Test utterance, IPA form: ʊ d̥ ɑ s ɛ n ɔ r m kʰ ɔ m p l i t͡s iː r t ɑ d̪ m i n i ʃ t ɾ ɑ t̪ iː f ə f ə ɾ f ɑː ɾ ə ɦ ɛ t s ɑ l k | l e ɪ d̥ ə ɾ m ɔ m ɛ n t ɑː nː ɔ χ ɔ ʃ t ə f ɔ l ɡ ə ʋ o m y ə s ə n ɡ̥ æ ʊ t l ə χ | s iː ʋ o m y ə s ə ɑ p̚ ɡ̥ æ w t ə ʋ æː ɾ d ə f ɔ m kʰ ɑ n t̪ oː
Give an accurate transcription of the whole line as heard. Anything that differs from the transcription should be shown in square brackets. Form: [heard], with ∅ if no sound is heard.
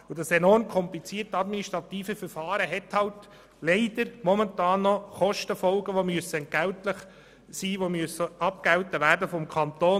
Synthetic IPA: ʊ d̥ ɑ s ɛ n ɔ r m kʰ ɔ m p l i t͡s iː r t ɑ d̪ m i n i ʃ t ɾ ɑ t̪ iː f ə f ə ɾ f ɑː ɾ ə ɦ ɛ t [h] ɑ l [t] | l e ɪ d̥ ə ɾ m ɔ m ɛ n t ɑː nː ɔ χ ɔ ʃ t ə f ɔ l ɡ ə ʋ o m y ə s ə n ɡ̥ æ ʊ t l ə χ | s iː ʋ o m y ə s ə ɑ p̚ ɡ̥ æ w t ə ʋ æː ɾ d ə f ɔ m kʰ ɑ n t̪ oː

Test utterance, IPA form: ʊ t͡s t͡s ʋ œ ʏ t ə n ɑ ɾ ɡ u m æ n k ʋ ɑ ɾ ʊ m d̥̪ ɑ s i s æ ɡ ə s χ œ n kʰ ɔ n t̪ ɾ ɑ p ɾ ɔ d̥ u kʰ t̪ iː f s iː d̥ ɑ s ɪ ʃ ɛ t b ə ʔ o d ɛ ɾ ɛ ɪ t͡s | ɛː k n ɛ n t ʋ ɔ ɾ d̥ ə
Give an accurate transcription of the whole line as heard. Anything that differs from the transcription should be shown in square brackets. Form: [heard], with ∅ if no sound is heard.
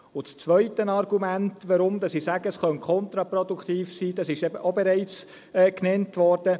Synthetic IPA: ʊ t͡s t͡s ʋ œ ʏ t ə n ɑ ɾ ɡ u m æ n [t] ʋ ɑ ɾ ʊ m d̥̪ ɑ s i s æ ɡ ə s χ œ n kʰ ɔ n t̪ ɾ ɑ p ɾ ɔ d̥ u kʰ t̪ iː f s iː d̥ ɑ s ɪ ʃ ɛ [∅] b ə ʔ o [b] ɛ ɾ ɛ ɪ t͡s | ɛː k n ɛ n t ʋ ɔ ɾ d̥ ə

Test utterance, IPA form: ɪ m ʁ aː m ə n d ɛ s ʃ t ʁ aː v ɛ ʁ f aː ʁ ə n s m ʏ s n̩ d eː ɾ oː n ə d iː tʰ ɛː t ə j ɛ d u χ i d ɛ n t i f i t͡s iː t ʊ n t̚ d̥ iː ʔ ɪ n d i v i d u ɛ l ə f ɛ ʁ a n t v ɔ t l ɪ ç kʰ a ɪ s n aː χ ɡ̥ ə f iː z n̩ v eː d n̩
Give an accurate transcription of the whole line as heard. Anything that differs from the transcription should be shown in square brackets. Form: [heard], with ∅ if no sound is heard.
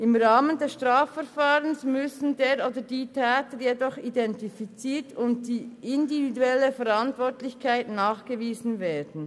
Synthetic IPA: ɪ m ʁ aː m ə n d ɛ s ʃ t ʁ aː [f] ɛ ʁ f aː ʁ ə n s m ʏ s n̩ d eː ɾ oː [d] ə d iː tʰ ɛː t ə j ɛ d [ɔ] χ i d ɛ n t i f i t͡s iː t ʊ n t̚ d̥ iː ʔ ɪ n d i v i d u ɛ l ə f ɛ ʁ a n t v ɔ t l ɪ ç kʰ a ɪ [t] n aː χ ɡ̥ ə [v] iː z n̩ v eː d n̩

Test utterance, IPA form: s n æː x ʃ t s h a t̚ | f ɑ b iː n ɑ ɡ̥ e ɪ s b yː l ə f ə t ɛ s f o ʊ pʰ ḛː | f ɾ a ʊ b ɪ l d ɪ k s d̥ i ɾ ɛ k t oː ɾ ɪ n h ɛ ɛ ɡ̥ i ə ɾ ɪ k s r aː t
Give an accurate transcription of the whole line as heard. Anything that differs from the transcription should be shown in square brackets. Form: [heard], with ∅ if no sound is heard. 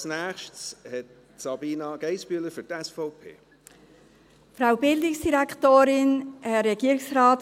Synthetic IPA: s n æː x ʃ t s h [ɛ] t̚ | [s] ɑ b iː n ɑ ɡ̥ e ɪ s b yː l ə f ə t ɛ s f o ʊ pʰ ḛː | f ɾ a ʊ b ɪ l d ɪ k s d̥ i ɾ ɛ k t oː ɾ ɪ n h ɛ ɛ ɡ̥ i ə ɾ ɪ k s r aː t

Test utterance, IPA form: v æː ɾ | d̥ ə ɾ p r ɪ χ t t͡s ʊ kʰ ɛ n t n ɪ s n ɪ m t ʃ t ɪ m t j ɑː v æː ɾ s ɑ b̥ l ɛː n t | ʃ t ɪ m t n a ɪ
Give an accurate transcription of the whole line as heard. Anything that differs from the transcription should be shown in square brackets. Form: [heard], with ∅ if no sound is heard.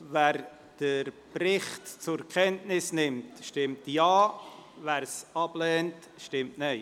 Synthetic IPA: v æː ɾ | d̥ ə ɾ p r ɪ χ t t͡s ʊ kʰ ɛ n t n ɪ s n ɪ m t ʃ t ɪ m t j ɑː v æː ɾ s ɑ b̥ l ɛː n t | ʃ t ɪ m t n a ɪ

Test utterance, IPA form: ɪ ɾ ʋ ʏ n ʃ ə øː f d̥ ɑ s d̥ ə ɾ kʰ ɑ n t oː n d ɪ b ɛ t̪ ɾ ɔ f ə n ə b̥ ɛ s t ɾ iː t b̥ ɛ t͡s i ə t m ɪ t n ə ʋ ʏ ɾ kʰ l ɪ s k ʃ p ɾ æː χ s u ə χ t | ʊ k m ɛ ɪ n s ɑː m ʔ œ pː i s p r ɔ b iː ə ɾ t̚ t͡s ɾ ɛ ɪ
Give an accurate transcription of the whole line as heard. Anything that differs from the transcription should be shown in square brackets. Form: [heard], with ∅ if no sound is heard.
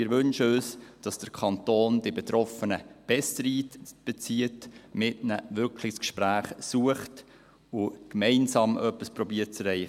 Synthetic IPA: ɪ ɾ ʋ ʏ n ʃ ə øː [s] d̥ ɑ s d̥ ə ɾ kʰ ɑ n t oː n d ɪ b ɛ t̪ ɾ ɔ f ə n ə b̥ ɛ s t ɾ iː t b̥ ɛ t͡s i ə t m ɪ t n ə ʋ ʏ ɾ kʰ l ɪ s k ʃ p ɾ æː χ s u ə χ t | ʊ k m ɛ ɪ n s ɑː m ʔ œ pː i s p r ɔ b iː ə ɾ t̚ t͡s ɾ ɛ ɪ

